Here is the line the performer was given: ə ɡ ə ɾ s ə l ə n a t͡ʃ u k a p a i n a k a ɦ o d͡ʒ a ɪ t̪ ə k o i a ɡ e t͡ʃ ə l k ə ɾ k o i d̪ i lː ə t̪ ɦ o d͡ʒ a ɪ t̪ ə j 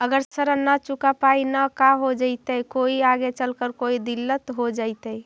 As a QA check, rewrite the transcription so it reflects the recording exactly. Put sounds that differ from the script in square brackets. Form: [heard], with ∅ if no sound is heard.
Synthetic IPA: ə ɡ ə ɾ s ə [ɾ] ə n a t͡ʃ u k a p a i n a k a ɦ o d͡ʒ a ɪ t̪ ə k o i a ɡ e t͡ʃ ə l k ə ɾ k o i d̪ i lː ə t̪ ɦ o d͡ʒ a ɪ t̪ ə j